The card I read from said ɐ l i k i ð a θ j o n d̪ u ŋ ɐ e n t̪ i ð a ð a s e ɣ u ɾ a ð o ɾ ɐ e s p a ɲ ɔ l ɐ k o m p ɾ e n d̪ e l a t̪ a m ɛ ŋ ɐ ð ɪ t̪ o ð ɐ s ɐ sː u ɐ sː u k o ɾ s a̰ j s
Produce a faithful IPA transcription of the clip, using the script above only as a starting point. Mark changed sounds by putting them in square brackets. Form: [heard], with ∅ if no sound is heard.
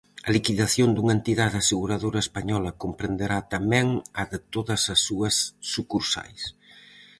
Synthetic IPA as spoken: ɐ l i k i ð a θ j o n d̪ u ŋ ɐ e n t̪ i ð a ð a s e ɣ u ɾ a ð o ɾ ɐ e s p a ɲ ɔ l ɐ k o m p ɾ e n d̪ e [ɾ] a t̪ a m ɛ ŋ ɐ ð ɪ t̪ o ð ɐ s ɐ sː u ɐ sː u k [u] ɾ s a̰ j s